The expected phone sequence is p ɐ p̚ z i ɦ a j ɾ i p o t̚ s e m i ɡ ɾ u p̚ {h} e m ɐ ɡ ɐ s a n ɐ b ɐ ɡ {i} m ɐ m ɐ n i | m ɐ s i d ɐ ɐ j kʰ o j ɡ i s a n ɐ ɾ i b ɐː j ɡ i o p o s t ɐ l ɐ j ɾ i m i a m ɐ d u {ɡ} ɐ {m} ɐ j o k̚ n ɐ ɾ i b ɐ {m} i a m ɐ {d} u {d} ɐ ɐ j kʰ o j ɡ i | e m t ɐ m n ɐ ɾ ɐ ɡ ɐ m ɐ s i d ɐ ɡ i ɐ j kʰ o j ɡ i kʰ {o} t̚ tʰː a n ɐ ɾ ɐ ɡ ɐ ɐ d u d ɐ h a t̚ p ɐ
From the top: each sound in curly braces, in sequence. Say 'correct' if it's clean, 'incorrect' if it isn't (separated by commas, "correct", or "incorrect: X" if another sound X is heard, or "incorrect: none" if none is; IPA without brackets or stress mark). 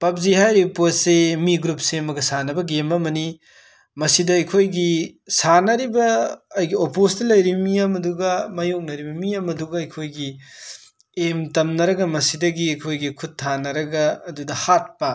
incorrect: s, incorrect: e, correct, correct, correct, correct, incorrect: ɡ, incorrect: u